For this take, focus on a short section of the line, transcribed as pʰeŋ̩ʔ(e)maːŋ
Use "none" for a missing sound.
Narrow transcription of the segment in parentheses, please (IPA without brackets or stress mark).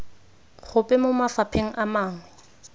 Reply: a